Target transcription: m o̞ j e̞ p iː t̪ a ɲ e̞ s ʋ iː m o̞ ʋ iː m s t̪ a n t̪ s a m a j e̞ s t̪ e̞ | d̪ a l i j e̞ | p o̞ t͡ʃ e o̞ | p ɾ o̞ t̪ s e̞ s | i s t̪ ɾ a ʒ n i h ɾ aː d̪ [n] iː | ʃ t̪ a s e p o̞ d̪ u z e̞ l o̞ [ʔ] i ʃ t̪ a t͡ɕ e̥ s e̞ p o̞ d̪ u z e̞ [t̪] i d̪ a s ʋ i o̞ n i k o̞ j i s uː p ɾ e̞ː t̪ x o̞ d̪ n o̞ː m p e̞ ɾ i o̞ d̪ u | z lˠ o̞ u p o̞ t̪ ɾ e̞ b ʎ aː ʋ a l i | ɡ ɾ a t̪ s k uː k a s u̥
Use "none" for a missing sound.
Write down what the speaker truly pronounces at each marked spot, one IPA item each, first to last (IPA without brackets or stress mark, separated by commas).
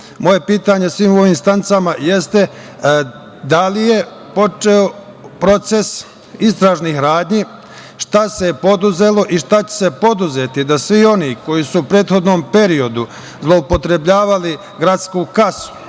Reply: ɲ, ʔ, t̪